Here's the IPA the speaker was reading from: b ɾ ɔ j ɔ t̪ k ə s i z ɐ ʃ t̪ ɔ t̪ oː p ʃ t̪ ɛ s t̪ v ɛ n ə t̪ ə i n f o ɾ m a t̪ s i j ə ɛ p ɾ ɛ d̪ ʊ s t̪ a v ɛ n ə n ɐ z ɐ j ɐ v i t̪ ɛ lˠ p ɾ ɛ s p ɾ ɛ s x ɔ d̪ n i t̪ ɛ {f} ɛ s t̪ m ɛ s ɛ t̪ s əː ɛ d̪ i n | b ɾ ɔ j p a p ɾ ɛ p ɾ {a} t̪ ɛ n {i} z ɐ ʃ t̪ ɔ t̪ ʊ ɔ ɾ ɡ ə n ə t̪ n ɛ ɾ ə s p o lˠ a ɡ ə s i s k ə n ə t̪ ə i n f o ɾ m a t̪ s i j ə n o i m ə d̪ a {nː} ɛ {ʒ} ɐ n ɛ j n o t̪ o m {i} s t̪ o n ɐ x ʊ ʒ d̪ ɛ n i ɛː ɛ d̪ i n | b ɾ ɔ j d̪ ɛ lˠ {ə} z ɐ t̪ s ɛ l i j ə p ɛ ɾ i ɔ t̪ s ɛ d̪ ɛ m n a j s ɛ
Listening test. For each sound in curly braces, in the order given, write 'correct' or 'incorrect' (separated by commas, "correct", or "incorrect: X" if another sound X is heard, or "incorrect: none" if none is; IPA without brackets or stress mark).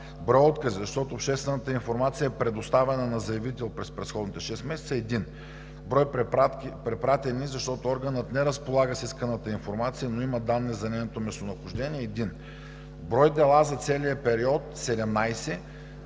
incorrect: ʃ, correct, correct, correct, incorrect: z, incorrect: ɛ, incorrect: a